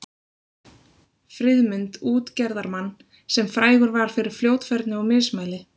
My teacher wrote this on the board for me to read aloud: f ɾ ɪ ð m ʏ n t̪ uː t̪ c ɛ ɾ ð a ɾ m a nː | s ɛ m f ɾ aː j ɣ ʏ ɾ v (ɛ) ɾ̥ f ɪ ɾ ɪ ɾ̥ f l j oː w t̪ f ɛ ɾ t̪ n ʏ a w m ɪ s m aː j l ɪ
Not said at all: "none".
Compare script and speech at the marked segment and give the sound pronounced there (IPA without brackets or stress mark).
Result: a